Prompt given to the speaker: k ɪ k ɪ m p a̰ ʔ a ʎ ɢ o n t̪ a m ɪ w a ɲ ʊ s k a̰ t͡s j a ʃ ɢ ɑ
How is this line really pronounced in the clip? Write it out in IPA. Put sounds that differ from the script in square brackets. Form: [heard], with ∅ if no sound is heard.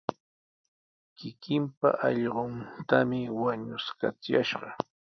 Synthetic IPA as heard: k ɪ k ɪ m p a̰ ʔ [ɑ] ʎ ɢ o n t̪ a m ɪ w a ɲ ʊ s k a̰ t͡s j a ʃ ɢ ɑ